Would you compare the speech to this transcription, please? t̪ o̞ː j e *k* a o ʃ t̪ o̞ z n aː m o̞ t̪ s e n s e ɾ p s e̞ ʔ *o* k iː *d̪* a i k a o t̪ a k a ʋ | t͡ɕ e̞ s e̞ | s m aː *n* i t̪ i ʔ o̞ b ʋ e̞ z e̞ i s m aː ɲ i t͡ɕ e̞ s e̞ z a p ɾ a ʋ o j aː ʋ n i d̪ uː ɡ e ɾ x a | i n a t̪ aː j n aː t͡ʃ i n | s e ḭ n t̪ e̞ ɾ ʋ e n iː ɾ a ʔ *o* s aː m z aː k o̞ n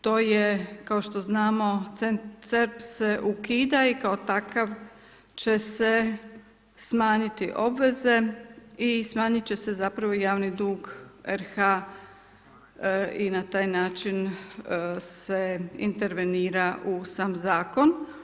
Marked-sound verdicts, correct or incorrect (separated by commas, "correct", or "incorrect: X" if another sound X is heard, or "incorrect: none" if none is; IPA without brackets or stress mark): correct, incorrect: u, correct, incorrect: ɲ, incorrect: u